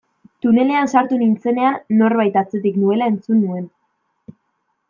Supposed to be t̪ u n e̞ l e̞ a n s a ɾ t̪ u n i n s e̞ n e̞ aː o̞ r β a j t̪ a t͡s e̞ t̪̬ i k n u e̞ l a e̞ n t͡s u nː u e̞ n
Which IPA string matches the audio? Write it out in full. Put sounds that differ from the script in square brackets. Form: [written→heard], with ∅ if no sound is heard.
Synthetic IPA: t̪ u n e̞ l e̞ a n s a ɾ t̪ u n i n [s→t͡s] e̞ n e̞ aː o̞ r β a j t̪ a t͡s e̞ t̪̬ i k n u e̞ l a e̞ n t͡s u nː u e̞ n